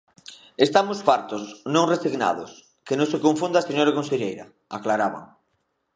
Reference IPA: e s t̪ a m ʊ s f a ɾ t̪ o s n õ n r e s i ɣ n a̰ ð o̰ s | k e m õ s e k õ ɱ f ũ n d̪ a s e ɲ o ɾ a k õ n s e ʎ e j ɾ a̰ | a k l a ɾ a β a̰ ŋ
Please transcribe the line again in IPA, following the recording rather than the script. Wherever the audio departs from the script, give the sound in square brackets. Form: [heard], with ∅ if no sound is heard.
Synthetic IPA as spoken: e s t̪ a m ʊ s f a ɾ t̪ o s n õ [ŋ] r e s i ɣ n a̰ ð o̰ s | k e [n] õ s e k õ ɱ f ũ n d̪ a s e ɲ o ɾ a k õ n s e ʎ e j ɾ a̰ | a k l a ɾ a β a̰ ŋ